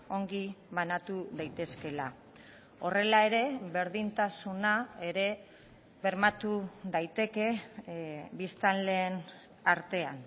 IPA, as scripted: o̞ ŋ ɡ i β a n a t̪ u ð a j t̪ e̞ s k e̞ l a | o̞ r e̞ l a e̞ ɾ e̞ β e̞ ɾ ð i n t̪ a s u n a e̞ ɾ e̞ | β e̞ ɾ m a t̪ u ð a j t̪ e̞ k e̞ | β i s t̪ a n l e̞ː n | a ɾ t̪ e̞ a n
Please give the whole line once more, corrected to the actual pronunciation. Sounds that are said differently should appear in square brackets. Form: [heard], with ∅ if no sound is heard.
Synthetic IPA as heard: o̞ ŋ ɡ i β a n a t̪ u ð a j t̪ e̞ s k e̞ l a | o̞ r e̞ l a e̞ ɾ e̞ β e̞ ɾ ð i n t̪ a s u n a e̞ ɾ e̞ | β e̞ ɾ m a t̪ u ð a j t̪ e̞ k e̞ | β i s t̪ a n l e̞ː n | a ɾ t̪ e̞ a n